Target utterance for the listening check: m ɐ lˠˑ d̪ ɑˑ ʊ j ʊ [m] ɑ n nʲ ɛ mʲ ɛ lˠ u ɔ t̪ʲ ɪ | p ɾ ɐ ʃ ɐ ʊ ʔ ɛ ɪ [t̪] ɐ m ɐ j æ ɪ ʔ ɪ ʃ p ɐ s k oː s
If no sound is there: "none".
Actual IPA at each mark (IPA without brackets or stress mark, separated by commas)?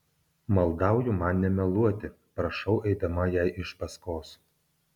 m, d̪